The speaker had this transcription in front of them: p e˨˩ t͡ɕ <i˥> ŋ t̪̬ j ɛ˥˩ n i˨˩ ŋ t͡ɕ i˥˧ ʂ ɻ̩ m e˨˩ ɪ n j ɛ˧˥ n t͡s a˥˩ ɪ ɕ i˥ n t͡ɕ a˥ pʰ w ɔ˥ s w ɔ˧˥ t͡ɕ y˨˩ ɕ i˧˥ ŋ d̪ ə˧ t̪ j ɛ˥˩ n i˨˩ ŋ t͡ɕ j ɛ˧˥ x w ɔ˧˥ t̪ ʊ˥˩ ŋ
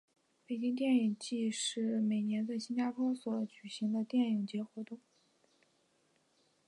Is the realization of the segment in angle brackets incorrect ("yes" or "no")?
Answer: no